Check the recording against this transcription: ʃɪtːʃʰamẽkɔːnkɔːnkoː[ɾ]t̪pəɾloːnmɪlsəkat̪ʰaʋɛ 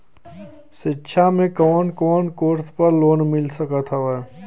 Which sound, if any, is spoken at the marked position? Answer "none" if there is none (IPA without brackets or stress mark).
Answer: ɾ